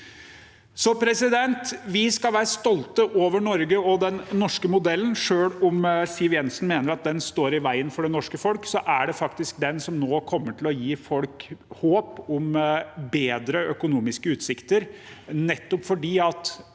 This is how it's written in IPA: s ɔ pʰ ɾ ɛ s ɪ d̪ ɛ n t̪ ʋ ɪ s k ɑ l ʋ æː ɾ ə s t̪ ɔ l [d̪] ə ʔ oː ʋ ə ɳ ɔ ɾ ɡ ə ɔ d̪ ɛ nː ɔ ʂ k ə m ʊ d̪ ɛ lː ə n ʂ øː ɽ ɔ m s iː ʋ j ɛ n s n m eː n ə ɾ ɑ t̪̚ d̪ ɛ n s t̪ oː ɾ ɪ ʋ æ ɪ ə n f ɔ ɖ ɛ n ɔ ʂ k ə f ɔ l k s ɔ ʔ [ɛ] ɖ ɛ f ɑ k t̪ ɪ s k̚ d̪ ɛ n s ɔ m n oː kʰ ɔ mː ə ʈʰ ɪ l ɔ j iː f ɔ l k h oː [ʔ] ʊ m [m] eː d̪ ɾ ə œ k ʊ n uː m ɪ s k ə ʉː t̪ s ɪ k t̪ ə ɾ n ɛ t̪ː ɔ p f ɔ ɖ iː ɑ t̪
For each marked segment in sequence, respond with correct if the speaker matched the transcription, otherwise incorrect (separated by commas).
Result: incorrect, incorrect, incorrect, incorrect